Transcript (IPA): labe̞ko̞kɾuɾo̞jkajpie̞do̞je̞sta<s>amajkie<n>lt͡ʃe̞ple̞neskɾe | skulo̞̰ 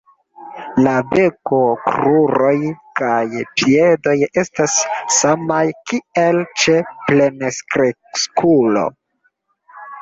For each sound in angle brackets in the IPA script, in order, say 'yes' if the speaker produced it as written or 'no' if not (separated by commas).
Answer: no, no